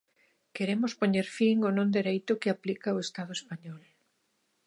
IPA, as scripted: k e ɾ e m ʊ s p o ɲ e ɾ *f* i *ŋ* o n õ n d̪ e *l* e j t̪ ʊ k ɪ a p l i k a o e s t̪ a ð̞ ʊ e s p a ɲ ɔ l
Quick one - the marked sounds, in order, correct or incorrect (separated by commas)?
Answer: correct, correct, incorrect